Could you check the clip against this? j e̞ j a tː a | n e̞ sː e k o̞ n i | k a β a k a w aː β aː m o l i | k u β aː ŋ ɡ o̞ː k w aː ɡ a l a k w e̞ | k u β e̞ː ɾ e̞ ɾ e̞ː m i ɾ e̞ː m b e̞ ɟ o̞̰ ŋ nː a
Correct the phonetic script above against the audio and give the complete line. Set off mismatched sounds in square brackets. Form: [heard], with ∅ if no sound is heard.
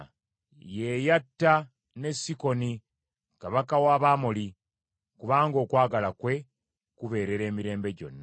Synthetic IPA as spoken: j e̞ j a tː a | n e̞ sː [i] k o̞ n i | k a β a k a w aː β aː m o l i | k u β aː ŋ ɡ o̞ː k w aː ɡ a l a k w e̞ | k u β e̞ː ɾ e̞ ɾ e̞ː m i ɾ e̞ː m b e̞ ɟ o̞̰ [∅] nː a